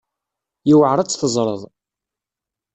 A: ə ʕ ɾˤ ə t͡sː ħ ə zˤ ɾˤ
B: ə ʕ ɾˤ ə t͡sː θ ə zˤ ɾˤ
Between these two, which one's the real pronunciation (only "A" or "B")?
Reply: B